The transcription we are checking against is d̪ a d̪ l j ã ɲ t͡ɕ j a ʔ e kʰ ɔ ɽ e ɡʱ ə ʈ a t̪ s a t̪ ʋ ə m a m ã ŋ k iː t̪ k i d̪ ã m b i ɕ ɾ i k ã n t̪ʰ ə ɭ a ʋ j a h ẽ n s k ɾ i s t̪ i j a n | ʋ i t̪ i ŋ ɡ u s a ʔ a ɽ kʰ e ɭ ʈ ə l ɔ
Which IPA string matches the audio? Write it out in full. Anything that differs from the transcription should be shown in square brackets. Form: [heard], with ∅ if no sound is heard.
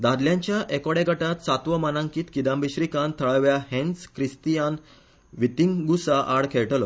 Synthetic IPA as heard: d̪ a d̪ l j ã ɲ t͡ɕ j a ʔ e [k] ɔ ɽ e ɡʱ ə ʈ a t̪ s a t̪ ʋ ə m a [n] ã ŋ k iː t̪ k i d̪ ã m b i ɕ ɾ i k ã n t̪ʰ ə ɭ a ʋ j a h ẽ n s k ɾ i s t̪ i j a n | ʋ i t̪ i ŋ ɡ u s a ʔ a ɽ kʰ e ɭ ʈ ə l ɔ